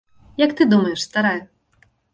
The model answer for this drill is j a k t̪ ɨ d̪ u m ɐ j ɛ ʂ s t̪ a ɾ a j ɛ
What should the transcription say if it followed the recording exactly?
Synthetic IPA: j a k t̪ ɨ d̪ u m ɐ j ɛ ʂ s t̪ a ɾ a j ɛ